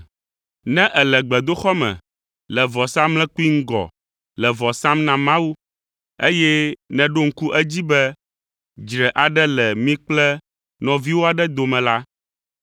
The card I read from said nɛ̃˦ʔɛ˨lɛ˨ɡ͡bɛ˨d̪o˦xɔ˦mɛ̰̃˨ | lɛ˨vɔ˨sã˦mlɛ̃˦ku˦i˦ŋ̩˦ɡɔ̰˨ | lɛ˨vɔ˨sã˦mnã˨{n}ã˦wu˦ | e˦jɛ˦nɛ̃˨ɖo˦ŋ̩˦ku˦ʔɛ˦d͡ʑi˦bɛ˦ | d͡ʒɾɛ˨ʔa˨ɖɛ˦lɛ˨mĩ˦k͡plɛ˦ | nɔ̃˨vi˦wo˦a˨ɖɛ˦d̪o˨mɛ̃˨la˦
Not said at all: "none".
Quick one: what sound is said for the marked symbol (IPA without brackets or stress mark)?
m